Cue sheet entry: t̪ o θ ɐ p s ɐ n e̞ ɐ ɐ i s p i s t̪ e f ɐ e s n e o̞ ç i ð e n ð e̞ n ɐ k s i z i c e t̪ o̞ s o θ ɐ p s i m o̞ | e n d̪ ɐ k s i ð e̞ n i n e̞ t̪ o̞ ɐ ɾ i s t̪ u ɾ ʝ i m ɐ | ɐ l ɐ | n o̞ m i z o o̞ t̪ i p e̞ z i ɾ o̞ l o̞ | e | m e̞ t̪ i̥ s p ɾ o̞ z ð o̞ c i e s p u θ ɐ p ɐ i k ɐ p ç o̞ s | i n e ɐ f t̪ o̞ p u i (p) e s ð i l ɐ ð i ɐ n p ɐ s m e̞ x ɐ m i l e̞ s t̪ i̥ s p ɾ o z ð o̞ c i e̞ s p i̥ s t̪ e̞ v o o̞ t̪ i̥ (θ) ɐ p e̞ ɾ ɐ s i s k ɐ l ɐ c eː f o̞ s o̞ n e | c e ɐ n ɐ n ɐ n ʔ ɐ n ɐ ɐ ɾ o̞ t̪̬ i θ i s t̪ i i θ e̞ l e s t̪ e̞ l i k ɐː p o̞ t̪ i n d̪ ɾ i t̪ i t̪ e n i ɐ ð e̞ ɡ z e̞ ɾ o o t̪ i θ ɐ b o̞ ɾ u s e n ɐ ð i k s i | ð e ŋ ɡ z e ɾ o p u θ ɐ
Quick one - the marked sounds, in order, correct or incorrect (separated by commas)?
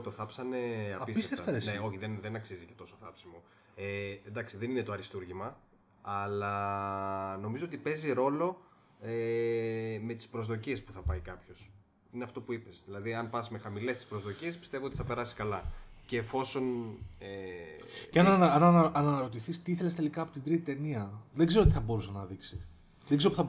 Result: correct, correct